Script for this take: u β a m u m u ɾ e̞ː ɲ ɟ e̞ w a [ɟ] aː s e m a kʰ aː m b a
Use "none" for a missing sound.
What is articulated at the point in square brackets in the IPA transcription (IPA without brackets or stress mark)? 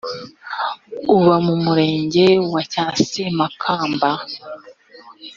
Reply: c